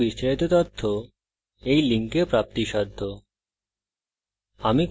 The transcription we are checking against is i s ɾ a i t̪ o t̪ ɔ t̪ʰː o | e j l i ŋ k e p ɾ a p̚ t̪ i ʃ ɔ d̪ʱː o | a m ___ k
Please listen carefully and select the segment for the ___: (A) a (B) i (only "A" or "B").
B